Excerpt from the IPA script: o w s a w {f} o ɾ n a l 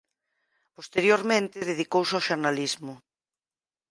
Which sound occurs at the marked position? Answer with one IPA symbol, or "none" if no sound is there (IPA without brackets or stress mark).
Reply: ʃ